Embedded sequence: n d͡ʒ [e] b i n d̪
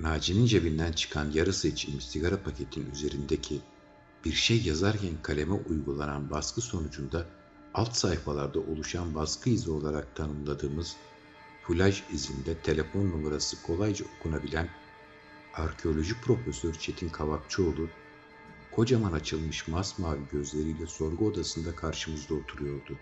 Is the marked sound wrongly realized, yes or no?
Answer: no